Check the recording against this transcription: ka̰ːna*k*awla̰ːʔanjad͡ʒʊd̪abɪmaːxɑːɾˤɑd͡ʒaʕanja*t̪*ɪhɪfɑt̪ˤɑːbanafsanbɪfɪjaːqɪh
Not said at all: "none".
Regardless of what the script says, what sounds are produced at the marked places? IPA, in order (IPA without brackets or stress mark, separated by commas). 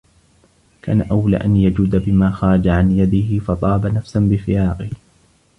ʔ, d̪